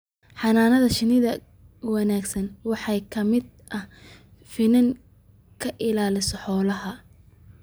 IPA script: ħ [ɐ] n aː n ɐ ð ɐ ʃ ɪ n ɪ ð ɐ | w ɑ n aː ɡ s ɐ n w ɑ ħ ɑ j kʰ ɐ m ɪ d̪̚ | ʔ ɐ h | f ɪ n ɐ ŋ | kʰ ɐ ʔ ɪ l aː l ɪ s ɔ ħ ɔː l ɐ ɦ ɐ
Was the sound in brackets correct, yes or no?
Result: no